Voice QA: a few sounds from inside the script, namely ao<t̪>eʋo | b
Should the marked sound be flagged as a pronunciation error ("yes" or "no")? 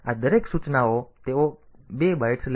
no